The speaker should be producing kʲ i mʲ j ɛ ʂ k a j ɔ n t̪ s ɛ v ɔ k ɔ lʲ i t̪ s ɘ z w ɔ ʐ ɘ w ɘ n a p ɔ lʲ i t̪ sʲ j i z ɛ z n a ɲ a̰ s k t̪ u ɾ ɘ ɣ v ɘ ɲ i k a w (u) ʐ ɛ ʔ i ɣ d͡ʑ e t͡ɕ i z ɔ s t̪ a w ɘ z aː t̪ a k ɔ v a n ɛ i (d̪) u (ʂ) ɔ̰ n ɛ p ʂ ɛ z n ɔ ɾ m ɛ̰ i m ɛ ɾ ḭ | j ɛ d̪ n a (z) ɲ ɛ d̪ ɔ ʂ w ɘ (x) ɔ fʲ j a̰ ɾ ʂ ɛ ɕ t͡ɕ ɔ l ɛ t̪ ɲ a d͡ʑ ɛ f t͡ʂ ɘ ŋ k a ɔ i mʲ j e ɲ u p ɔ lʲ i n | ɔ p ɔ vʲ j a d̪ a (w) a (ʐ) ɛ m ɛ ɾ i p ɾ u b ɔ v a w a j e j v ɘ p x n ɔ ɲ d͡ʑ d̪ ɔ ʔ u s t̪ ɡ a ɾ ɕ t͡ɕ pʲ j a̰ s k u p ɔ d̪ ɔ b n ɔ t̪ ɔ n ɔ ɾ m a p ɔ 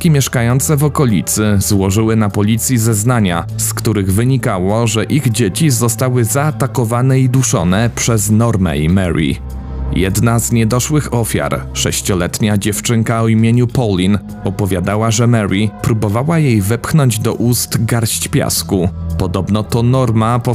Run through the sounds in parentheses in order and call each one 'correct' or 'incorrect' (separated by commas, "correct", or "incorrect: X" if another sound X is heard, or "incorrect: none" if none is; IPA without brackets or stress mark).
incorrect: ɔ, correct, correct, correct, correct, correct, correct